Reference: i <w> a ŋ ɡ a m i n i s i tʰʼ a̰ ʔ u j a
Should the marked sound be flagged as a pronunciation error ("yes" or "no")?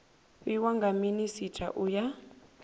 no